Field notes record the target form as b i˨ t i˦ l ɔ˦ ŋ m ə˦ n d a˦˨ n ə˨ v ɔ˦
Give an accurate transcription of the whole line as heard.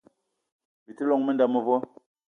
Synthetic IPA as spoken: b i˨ t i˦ l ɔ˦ ŋ m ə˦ n d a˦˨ m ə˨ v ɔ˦